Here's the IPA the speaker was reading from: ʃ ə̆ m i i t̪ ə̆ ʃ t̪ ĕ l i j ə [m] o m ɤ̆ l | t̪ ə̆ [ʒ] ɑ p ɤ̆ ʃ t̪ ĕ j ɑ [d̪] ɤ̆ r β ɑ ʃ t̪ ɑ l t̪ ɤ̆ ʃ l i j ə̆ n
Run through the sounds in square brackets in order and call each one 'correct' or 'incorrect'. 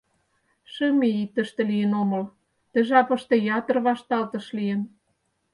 incorrect: n, correct, incorrect: t̪

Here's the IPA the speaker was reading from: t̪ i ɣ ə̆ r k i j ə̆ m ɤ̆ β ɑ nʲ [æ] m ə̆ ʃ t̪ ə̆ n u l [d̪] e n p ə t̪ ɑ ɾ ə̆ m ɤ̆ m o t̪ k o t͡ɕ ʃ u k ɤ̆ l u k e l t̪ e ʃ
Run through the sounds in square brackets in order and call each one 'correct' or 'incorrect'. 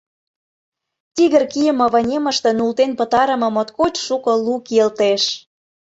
incorrect: e, incorrect: t̪

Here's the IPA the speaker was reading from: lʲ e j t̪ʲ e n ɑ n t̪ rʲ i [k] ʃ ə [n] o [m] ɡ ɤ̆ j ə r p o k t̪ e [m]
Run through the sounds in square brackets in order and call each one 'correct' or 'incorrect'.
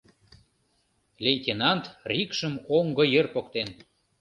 correct, incorrect: m, incorrect: ŋ, incorrect: n

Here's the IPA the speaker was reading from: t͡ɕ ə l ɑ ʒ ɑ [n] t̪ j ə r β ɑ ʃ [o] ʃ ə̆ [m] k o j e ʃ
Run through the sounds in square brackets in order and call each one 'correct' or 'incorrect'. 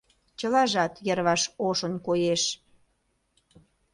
incorrect: none, correct, incorrect: n

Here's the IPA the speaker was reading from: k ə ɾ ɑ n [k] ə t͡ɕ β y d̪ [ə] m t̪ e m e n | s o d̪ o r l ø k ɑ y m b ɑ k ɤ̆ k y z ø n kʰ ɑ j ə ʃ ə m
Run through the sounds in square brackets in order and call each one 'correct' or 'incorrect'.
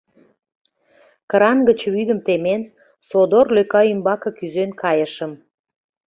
incorrect: ɡ, correct

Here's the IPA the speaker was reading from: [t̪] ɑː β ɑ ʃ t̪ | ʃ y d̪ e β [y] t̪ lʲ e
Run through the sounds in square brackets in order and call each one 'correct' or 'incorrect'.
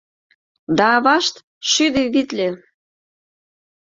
incorrect: d̪, incorrect: i

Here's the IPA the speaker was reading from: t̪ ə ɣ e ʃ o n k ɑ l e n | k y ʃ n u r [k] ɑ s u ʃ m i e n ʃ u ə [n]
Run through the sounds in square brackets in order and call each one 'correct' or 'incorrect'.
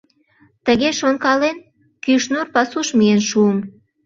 incorrect: p, incorrect: m

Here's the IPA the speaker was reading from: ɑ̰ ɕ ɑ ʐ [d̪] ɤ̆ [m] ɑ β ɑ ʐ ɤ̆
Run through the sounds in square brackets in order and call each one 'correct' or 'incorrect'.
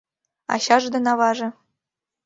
correct, incorrect: n

